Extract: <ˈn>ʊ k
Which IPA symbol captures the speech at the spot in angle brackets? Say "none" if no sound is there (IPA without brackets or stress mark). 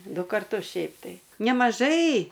d